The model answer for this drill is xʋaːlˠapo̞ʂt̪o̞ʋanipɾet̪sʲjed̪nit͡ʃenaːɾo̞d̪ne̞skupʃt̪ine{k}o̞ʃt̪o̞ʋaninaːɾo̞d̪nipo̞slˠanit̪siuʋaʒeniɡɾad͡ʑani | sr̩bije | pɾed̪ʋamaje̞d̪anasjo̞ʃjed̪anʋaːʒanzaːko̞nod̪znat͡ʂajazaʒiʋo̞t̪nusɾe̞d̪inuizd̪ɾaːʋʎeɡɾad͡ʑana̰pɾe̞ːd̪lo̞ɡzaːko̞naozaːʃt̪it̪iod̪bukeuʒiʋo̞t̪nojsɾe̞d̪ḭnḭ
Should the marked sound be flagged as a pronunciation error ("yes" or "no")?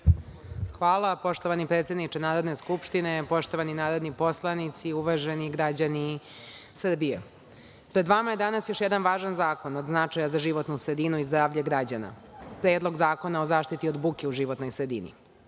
yes